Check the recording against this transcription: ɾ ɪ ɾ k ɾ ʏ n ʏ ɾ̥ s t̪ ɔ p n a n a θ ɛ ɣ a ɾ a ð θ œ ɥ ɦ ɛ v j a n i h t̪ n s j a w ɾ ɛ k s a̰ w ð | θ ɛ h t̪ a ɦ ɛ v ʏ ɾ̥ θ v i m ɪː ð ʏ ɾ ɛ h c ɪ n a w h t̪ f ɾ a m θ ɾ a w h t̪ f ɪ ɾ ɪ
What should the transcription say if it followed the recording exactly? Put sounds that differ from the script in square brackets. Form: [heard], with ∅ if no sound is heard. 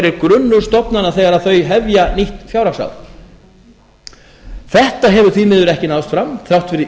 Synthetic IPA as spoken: ɾ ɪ ɾ k ɾ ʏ [nː] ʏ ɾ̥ s t̪ ɔ p n a n a θ ɛ ɣ a ɾ a ð θ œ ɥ ɦ ɛ v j a n i h t̪ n [f] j a w ɾ [a] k s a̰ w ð | θ ɛ h t̪ a ɦ ɛ v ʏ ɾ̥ θ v i m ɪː ð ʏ ɾ ɛ h c ɪ n a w [s] t̪ f ɾ a m θ ɾ a w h t̪ f ɪ ɾ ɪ